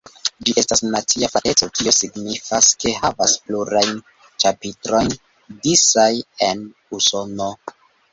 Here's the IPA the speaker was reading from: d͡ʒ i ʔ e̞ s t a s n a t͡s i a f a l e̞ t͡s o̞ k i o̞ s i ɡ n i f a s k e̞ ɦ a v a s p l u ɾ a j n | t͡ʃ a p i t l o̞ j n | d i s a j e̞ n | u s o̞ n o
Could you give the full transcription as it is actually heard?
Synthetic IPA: d͡ʒ i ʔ e̞ s t a s n a t͡s i a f a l e̞ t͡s o̞ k i o̞ s i ɡ n i f a s k e̞ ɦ a v a s p l u ɾ a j n | t͡ʃ a p i t ɾ o̞ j n | d i s a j e̞ n | u s o̞ n o